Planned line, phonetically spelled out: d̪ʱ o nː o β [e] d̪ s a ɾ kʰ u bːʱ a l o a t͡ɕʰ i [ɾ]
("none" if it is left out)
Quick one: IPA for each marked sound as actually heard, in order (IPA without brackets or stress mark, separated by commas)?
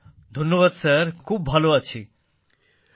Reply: a, none